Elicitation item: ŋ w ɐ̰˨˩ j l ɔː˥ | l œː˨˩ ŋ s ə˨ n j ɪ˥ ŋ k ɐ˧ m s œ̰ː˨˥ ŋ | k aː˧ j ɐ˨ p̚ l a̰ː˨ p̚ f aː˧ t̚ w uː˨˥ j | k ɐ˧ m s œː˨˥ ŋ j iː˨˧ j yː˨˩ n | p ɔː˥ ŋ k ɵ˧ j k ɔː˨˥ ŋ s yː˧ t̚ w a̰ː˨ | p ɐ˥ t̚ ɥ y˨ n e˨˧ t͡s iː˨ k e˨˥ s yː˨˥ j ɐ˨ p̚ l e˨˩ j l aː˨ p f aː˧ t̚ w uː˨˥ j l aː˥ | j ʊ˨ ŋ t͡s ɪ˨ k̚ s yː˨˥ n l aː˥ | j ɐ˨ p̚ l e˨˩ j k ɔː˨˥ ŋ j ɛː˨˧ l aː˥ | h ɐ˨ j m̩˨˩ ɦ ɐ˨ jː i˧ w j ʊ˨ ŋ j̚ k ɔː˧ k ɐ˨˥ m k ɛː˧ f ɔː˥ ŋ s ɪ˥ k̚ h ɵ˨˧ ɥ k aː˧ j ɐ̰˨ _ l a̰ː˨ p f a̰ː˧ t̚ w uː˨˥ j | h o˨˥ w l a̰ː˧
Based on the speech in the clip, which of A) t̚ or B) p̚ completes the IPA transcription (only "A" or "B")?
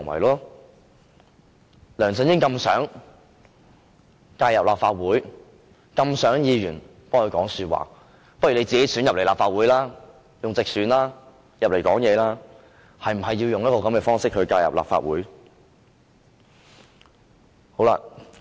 B